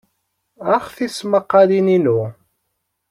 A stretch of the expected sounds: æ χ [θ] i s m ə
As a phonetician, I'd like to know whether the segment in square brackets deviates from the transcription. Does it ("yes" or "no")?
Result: no